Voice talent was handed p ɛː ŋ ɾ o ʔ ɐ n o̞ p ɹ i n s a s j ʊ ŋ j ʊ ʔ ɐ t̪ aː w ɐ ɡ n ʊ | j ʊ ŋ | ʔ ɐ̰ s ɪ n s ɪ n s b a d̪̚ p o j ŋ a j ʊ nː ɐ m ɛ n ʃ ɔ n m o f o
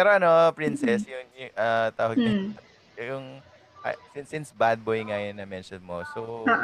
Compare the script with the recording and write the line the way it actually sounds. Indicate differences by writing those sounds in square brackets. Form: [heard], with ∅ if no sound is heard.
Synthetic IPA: p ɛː [∅] ɾ o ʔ ɐ n o̞ p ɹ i n s [ɛ] s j ʊ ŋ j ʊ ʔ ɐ t̪ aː w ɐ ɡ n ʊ | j ʊ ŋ | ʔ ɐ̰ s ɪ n s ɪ n s b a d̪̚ [b] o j ŋ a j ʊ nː ɐ m ɛ n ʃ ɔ n m o [s] o